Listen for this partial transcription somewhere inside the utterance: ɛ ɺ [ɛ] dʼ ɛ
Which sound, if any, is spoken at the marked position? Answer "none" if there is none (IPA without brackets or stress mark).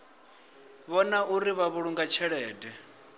ɛː